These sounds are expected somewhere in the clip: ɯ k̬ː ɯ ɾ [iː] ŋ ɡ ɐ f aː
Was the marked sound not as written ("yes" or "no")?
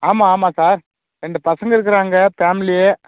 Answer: yes